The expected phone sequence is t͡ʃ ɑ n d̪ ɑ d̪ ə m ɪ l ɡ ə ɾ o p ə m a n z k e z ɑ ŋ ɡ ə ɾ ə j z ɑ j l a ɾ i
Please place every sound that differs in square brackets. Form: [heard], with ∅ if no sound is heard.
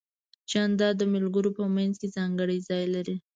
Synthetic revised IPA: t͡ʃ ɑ n d̪ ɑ d̪ ə m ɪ l ɡ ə ɾ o p ə m a n z k e z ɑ ŋ ɡ ə [ɽ] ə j z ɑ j l a ɾ i